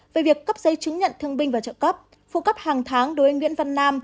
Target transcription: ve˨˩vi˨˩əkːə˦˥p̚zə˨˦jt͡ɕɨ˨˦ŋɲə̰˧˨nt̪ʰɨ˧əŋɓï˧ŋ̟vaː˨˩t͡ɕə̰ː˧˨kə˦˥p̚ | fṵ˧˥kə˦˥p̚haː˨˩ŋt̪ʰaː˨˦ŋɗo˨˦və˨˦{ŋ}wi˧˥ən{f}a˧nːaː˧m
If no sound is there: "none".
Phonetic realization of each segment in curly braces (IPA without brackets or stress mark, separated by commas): ŋ, v